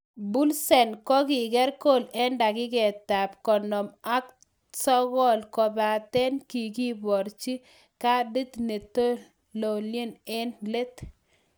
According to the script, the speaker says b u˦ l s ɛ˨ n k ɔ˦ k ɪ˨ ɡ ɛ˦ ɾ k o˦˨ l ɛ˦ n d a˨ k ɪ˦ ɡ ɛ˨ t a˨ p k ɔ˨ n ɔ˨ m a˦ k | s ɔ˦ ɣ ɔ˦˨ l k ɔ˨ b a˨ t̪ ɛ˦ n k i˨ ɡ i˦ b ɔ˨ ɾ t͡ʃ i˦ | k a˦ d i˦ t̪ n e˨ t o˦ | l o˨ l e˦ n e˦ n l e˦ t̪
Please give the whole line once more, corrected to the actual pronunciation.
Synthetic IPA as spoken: b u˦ l s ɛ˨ n k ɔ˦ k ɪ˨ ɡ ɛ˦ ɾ k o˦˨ l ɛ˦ n d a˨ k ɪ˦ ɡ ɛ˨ t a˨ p k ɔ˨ n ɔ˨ m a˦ k | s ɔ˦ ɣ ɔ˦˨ l k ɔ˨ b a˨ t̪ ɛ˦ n k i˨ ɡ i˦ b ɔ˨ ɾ t͡ʃ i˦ | k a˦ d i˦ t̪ n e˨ t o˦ | l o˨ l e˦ n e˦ n l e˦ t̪